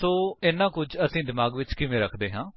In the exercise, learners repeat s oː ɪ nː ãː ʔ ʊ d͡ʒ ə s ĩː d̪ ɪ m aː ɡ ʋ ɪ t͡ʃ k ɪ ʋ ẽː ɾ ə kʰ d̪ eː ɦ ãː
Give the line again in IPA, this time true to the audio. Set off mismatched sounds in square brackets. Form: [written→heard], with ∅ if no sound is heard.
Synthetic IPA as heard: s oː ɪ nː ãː [ʔ→k] ʊ d͡ʒ ə s ĩː d̪ ɪ m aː ɡ ʋ ɪ t͡ʃ k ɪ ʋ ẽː ɾ ə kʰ d̪ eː ɦ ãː

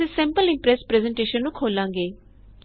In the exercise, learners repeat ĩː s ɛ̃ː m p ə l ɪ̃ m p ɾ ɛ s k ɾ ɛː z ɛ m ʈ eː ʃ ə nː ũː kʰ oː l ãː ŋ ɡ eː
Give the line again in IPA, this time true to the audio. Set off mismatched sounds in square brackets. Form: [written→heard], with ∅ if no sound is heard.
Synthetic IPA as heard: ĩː s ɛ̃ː m p ə l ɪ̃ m p ɾ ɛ s [k→p] ɾ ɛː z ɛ [m→ɳ] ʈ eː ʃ ə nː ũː kʰ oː l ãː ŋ ɡ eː

